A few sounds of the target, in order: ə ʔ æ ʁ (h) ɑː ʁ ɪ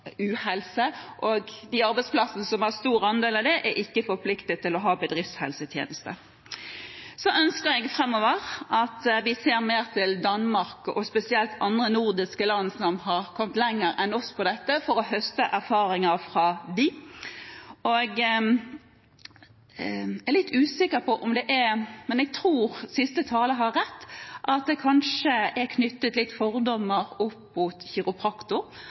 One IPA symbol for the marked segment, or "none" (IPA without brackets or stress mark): f